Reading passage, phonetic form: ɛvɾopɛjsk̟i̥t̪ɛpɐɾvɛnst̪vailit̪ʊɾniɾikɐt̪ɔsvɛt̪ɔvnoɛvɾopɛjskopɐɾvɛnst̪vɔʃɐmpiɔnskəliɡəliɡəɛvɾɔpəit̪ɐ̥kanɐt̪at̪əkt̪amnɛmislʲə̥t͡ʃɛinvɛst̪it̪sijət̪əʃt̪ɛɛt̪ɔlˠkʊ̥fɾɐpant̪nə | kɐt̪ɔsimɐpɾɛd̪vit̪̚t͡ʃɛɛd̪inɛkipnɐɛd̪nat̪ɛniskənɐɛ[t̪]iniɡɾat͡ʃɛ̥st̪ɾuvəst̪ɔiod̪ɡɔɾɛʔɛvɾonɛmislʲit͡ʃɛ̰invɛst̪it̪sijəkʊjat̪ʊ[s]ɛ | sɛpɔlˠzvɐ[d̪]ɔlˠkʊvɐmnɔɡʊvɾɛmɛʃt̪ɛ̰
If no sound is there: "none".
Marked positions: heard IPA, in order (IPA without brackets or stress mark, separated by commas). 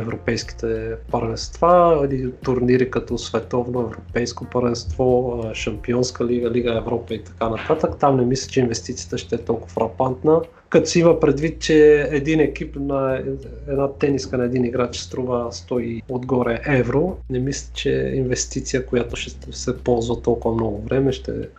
d̪, ʃ, t̪